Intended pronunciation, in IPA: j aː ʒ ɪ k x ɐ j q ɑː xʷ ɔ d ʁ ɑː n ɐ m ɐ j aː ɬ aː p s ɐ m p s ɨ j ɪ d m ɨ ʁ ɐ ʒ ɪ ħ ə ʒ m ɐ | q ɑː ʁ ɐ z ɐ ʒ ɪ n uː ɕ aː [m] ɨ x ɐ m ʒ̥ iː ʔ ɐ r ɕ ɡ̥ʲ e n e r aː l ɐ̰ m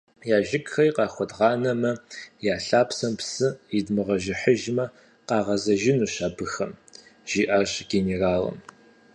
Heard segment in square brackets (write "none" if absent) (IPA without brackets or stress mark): b